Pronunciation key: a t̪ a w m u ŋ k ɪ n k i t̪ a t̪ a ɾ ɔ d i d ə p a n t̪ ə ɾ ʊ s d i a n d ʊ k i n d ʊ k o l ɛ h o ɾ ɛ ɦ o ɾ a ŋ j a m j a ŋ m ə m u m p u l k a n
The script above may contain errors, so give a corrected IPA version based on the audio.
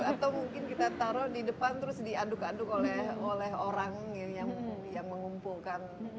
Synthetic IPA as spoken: a t̪ a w m u ŋ k ɪ n k i t̪ a t̪ a ɾ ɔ d i d ə p a n t̪ ə ɾ ʊ s d i a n d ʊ k a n d ʊ k o l ɛ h o l ɛ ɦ o ɾ a ŋ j a ŋ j a ŋ m ə ŋ u m p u l k a n